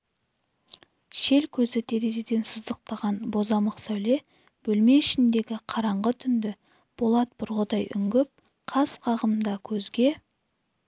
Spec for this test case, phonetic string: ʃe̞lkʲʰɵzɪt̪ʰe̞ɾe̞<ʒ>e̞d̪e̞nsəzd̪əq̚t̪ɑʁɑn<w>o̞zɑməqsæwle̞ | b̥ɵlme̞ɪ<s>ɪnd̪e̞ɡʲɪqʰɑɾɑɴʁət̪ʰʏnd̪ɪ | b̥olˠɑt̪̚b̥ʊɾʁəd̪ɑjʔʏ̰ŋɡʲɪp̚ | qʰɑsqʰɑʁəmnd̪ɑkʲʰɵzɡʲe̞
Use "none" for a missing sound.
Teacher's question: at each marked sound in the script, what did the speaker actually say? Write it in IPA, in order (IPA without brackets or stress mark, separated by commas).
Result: z, b, ʃ